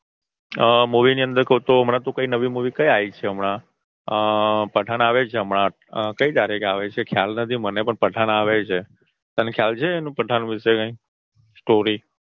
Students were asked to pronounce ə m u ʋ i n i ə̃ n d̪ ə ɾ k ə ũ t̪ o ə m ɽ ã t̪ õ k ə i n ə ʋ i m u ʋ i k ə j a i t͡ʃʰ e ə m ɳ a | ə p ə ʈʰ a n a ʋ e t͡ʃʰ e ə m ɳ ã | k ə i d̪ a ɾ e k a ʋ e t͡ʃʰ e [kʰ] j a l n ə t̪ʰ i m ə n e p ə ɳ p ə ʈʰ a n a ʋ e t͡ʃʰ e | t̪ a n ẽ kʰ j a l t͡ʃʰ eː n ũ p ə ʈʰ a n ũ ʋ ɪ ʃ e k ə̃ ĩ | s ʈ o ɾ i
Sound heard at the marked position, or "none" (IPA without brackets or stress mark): kʰ